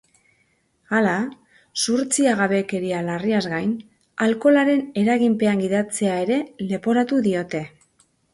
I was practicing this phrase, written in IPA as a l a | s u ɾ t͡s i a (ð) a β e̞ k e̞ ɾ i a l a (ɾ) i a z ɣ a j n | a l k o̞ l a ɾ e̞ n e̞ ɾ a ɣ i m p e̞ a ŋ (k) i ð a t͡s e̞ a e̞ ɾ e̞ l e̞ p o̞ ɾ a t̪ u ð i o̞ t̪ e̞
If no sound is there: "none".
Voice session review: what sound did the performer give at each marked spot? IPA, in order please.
ɣ, r, ɡ

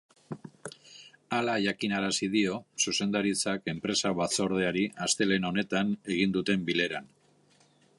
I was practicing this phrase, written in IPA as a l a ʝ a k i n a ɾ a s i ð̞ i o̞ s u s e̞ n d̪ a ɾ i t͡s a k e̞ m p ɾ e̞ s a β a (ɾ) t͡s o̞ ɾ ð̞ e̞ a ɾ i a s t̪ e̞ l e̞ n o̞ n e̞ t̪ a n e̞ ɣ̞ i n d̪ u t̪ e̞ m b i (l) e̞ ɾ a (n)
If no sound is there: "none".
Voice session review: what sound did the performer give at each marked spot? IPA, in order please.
none, l, n

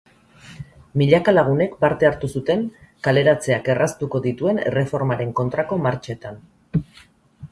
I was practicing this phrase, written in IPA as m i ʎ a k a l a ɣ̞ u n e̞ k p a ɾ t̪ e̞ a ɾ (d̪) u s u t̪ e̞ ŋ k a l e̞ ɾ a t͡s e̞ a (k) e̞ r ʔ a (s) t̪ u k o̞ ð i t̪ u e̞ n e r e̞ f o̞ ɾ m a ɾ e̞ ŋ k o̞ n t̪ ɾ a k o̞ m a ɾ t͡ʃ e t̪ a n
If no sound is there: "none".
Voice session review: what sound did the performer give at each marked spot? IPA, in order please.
t̪, k, s

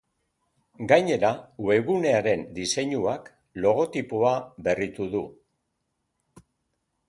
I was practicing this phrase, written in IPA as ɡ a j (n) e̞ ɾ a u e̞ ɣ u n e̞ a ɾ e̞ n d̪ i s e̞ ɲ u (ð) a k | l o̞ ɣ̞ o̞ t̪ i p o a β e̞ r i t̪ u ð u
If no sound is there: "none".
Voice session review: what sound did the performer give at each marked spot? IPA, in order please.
ɲ, none

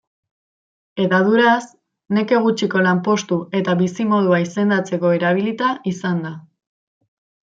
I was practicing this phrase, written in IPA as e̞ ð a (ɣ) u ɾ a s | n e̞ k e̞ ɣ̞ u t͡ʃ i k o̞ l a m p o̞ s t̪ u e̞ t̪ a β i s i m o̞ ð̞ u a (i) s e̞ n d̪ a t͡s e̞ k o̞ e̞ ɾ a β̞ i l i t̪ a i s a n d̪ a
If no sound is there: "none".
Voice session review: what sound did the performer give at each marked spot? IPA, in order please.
ð, i

